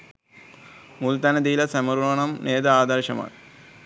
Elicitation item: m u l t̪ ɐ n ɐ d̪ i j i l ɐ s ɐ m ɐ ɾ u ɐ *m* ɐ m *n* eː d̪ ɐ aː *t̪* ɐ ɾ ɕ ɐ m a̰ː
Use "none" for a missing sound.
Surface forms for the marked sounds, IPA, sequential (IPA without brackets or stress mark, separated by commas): ɳ, n, d̪